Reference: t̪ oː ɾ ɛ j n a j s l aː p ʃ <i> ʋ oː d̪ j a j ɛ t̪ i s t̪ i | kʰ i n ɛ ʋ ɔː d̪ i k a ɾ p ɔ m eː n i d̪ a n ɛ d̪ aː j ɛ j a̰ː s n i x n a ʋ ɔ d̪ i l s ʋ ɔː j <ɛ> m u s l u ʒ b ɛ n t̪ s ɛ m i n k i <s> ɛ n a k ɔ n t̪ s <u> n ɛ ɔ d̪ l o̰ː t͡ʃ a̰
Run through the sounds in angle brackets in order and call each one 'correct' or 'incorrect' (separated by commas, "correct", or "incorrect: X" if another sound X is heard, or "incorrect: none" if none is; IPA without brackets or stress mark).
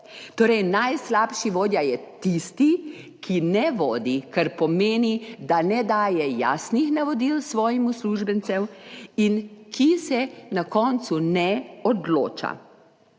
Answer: correct, incorrect: i, correct, correct